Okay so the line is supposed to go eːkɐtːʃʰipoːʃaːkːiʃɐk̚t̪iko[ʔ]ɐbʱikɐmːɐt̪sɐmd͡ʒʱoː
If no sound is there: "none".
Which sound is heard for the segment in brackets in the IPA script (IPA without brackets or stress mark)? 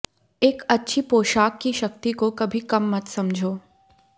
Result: k